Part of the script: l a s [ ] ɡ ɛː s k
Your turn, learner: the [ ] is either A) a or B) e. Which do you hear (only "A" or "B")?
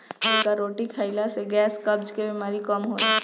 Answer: B